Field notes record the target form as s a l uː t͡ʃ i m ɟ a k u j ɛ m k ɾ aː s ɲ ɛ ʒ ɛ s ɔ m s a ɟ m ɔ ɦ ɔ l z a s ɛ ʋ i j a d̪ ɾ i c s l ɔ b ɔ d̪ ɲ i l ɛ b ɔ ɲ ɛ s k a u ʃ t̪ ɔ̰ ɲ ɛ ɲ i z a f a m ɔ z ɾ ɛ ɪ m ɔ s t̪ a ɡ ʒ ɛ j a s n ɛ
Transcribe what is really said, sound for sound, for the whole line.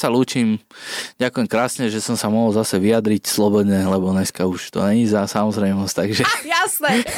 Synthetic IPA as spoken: s a l uː t͡ʃ i m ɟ a k u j ɛ m k ɾ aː s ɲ ɛ ʒ ɛ s ɔ m s a m ɔ ɦ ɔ l z a s ɛ ʋ i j a d̪ ɾ i c s l ɔ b ɔ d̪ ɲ ɛ l ɛ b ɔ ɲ ɛ s k a u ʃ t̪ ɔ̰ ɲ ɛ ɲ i z a s a m ɔ z ɾ ɛ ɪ m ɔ s t̪ a ɡ ʒ ɛ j a s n ɛ